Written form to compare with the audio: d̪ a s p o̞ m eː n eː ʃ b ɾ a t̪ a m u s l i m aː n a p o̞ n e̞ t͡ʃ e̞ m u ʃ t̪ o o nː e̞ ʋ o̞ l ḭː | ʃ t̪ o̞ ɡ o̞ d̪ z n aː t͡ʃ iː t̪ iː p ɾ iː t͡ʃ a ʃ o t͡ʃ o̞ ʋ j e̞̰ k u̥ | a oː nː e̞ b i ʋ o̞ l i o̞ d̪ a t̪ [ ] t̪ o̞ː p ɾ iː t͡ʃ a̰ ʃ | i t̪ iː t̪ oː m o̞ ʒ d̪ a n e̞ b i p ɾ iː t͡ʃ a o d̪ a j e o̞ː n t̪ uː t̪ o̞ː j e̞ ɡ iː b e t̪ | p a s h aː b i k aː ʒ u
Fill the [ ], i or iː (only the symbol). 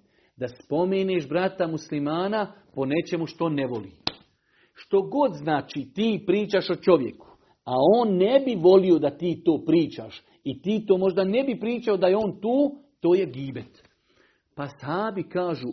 iː